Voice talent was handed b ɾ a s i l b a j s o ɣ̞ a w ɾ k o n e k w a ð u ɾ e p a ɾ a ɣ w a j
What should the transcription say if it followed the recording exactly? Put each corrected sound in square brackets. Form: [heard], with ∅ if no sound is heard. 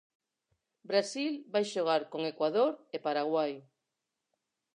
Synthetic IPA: b ɾ a s i l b a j [ʃ] o ɣ̞ a [∅] ɾ k o [ŋ] e k w a ð [o] ɾ e p a ɾ a ɣ w a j